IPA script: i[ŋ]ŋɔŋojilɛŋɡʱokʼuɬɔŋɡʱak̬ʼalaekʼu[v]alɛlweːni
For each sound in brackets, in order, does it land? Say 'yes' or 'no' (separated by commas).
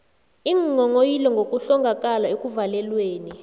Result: yes, yes